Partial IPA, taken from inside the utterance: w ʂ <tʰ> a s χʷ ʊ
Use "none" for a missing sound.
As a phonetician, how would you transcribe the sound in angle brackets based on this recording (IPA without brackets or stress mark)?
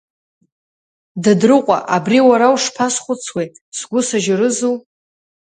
pʰ